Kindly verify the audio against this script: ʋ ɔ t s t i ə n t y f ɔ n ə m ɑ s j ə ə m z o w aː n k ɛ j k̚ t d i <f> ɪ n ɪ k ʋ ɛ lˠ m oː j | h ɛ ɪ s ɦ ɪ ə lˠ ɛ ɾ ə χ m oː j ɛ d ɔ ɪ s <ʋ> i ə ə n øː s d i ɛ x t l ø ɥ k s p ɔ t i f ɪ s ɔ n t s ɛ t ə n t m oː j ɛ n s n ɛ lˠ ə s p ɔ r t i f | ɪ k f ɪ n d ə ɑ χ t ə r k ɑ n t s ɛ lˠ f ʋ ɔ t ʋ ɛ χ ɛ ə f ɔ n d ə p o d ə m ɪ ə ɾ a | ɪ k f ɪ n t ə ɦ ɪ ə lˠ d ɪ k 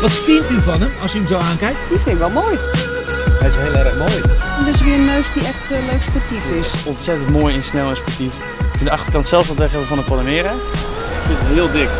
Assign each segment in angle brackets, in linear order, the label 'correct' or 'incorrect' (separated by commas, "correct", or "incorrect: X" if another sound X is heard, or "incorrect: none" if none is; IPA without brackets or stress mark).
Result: correct, correct